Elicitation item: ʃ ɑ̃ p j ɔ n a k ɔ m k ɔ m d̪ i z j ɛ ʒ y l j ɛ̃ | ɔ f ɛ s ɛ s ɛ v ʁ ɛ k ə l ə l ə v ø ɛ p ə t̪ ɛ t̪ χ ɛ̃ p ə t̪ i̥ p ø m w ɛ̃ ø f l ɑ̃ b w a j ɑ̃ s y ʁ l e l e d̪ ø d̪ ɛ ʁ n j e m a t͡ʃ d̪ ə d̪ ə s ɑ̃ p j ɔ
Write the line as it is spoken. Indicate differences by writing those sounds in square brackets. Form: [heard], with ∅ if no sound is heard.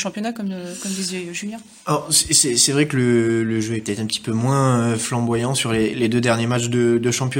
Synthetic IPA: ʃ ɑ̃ p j ɔ n a k ɔ m k ɔ m d̪ i z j ɛ ʒ y l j ɛ̃ | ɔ [s] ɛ s ɛ s ɛ v ʁ ɛ k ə l ə l ə [ʒ] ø ɛ p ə t̪ ɛ t̪ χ ɛ̃ p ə t̪ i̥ p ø m w ɛ̃ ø f l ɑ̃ b w a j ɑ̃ s y ʁ l e l e d̪ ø d̪ ɛ ʁ n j e m a t͡ʃ d̪ ə d̪ ə [ʃ] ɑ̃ p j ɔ